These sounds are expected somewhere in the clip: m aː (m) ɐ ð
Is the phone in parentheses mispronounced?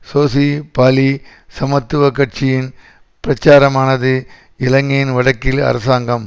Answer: yes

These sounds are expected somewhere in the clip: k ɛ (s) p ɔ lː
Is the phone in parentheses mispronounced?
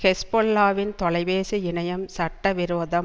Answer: no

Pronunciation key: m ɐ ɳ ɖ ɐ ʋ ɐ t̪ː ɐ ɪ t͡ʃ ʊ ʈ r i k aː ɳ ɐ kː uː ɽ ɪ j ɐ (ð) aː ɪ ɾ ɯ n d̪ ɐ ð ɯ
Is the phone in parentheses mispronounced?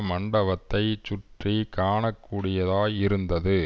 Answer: no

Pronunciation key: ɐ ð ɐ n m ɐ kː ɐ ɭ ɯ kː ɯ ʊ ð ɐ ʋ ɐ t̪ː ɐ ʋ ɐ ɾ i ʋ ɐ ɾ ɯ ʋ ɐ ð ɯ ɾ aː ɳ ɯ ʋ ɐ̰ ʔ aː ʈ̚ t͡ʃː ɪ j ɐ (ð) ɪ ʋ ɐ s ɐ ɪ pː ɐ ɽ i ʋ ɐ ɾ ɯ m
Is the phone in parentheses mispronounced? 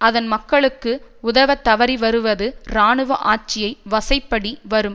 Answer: yes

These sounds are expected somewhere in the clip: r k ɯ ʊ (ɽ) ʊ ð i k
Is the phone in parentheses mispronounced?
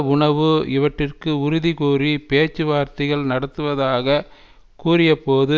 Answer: yes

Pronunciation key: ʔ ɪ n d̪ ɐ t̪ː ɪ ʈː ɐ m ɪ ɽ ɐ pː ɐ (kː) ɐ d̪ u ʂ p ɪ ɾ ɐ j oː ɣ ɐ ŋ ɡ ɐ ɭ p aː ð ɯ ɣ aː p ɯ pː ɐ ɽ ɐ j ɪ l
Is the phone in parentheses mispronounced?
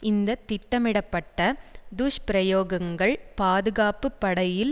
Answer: yes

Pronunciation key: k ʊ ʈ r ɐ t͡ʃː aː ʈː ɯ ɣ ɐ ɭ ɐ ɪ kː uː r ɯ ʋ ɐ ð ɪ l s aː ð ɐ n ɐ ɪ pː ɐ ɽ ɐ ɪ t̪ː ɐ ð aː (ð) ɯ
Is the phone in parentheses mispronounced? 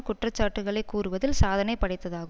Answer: yes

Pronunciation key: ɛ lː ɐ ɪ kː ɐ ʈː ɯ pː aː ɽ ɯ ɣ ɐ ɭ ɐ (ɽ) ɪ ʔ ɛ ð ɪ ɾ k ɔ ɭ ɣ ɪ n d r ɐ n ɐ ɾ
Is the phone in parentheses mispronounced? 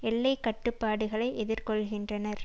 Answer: yes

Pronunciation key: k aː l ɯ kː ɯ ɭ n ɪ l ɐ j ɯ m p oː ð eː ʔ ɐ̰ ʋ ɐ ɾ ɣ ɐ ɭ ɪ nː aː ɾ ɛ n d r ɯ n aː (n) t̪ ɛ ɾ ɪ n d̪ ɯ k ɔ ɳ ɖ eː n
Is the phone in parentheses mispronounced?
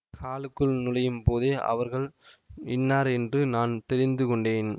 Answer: no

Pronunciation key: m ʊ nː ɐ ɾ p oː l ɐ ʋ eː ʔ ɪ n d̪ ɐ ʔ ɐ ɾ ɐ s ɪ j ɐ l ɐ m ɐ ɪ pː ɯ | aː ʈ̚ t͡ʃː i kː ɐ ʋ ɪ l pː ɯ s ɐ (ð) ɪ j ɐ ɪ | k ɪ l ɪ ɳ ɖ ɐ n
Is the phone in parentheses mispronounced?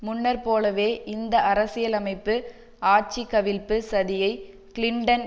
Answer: no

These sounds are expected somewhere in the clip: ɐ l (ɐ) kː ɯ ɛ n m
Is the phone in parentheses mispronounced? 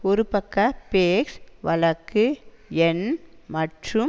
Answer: no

